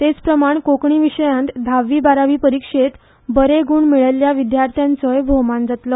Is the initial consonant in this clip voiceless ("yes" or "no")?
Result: yes